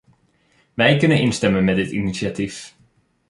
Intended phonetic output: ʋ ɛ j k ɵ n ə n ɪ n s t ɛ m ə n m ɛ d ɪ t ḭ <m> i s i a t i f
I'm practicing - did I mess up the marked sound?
yes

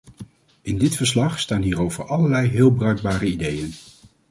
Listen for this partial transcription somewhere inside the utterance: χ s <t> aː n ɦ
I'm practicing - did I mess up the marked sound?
no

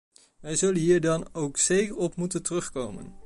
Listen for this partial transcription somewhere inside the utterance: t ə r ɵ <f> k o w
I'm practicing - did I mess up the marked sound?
yes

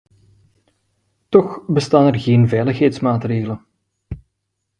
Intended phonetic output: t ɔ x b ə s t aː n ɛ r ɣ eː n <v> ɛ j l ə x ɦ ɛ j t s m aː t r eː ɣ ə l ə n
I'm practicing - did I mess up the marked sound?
no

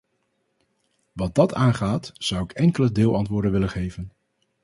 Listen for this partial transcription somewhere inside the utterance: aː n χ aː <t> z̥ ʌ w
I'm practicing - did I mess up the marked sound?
no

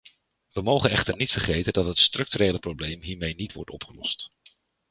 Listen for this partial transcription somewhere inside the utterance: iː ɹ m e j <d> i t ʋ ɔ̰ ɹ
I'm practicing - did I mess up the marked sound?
yes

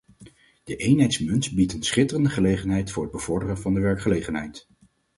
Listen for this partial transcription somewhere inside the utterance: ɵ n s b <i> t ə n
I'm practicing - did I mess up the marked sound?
no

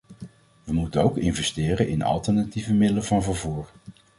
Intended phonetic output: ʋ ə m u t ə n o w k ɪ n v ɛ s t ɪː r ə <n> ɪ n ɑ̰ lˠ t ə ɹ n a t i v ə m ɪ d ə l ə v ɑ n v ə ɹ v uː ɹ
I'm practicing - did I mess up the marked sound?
no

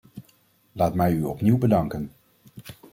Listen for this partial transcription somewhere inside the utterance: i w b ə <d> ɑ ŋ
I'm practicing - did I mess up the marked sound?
no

